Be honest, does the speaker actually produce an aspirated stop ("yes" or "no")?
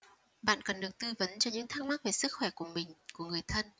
yes